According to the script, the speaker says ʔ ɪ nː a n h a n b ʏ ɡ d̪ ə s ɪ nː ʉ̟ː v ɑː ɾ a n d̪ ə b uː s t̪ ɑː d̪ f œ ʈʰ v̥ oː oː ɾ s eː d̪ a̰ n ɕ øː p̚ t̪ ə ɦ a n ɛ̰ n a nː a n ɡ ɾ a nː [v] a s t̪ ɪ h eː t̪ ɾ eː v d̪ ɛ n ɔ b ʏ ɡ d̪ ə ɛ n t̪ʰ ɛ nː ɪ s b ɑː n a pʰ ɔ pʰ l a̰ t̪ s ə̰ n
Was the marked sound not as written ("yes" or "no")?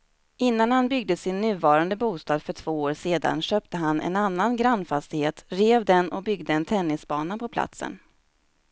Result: yes